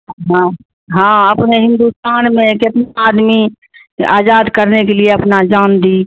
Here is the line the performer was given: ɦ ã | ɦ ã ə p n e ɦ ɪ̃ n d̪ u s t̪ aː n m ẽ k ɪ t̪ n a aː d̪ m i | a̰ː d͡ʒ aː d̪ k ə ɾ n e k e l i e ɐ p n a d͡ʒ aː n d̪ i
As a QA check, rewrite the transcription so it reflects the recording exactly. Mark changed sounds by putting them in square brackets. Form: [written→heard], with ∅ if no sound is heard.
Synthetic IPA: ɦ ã | ɦ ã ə p n e ɦ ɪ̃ n d̪ u s t̪ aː n m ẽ k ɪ t̪ n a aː d̪ m i | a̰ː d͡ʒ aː d̪ k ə ɾ n e k e l i e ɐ p n a d͡ʒ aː n d̪ i

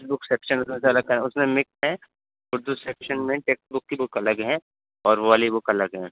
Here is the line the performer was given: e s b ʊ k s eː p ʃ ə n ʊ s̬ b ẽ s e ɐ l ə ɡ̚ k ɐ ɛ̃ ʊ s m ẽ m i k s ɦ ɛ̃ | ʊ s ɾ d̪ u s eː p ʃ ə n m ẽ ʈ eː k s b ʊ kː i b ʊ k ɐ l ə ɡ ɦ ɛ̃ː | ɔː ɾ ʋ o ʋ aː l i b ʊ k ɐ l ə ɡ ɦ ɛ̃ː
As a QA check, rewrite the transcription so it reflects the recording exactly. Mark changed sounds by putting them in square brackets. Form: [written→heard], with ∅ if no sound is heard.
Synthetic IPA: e s b ʊ k s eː p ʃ ə n ʊ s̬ [b→m] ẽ s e ɐ l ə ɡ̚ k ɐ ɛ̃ ʊ s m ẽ m [i→ɪ] k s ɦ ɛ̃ | ʊ [s→∅] ɾ d̪ u s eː p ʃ ə n m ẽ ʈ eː k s b ʊ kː i b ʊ k ɐ l ə ɡ ɦ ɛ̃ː | ɔː ɾ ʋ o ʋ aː l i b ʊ k ɐ l ə ɡ ɦ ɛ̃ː

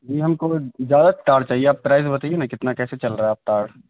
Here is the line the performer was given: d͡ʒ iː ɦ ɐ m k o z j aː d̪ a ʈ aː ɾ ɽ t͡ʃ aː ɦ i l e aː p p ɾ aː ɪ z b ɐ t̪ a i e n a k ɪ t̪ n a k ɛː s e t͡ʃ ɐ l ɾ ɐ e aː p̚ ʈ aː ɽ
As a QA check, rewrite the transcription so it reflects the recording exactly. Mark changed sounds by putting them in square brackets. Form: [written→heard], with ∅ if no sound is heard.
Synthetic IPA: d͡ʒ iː ɦ ɐ m k o z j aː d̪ a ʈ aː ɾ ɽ t͡ʃ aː ɦ i [l→∅] e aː p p ɾ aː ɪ z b ɐ t̪ a i e n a k ɪ t̪ n a k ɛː s e t͡ʃ ɐ l ɾ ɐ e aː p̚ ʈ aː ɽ

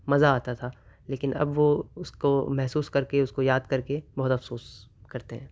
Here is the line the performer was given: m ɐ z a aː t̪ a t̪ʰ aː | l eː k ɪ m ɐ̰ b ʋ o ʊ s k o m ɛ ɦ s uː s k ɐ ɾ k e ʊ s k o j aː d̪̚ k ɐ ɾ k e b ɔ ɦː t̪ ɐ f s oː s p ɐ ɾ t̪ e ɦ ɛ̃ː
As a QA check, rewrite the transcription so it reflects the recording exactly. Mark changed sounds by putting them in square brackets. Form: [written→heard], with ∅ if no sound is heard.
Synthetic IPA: m ɐ z a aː t̪ a t̪ʰ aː | l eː k ɪ [m→n] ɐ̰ b ʋ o ʊ s k o m ɛ ɦ s uː s k ɐ ɾ k e ʊ s k o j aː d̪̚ k ɐ ɾ k e b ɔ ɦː t̪ ɐ f s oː s [p→k] ɐ ɾ t̪ e ɦ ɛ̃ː

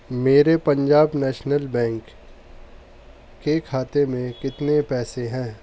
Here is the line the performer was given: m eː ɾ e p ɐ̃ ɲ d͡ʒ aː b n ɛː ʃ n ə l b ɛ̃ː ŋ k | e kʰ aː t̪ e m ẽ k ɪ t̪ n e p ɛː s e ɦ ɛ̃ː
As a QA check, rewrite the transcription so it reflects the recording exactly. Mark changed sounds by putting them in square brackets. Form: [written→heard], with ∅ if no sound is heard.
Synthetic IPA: m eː ɾ e p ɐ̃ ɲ d͡ʒ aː b n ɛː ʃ n ə l b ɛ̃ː ŋ k | e kʰ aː t̪ e m ẽ k ɪ t̪ n e p ɛː s e ɦ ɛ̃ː

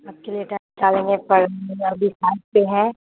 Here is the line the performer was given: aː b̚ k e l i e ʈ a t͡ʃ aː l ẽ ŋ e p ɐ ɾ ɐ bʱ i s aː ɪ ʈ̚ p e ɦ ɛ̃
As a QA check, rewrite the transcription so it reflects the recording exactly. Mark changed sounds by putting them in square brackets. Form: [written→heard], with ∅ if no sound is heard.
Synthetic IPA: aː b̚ k e l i e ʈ a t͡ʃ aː l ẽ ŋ e p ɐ ɾ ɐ bʱ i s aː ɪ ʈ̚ p e ɦ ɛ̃

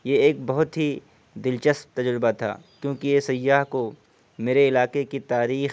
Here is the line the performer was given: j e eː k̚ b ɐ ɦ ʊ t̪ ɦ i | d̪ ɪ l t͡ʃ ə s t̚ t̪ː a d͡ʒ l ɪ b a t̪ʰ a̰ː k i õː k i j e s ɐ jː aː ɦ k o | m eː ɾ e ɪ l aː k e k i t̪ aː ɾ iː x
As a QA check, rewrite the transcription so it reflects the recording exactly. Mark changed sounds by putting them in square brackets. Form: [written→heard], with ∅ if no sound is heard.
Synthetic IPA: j e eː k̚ b ɐ ɦ ʊ t̪ ɦ i | d̪ ɪ l t͡ʃ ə s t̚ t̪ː [a→ɐ] d͡ʒ [l→ɾ] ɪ b a t̪ʰ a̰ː k [i→j] õː k i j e s ɐ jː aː ɦ k o | m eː ɾ e ɪ l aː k e k i t̪ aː ɾ iː x

